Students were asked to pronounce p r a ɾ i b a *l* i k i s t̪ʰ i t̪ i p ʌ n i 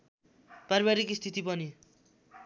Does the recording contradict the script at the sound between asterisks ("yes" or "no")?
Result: yes